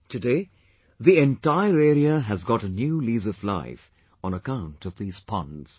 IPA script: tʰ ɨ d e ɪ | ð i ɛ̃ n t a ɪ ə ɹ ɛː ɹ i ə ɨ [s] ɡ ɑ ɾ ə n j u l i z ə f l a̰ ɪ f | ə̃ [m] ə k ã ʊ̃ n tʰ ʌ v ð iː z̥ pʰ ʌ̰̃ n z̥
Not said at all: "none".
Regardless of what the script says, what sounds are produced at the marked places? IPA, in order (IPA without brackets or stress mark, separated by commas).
z, n